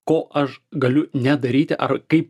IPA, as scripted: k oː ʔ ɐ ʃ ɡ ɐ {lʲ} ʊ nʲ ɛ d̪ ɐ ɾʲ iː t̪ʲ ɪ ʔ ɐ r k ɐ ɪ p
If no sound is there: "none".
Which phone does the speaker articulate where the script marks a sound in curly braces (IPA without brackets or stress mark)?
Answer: lʲ